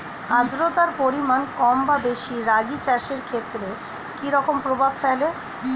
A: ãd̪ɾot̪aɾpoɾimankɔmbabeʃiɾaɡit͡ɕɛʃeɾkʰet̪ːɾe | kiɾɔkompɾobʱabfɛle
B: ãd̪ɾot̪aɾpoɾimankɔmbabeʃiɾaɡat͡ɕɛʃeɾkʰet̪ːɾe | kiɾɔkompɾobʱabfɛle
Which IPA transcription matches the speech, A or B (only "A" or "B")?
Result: A